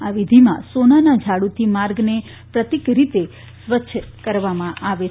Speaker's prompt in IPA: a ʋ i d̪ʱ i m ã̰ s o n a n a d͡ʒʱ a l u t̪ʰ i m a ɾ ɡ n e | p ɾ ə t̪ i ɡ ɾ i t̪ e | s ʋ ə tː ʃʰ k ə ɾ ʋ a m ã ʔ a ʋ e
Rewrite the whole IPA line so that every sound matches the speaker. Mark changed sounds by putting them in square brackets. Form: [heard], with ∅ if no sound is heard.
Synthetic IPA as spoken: a ʋ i d̪ʱ i m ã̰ s o n a n a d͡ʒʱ a [ɽ] u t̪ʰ i m a ɾ ɡ n e | p ɾ ə t̪ i [k] ɾ i t̪ e | s ʋ ə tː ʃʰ k ə ɾ ʋ a m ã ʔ a ʋ e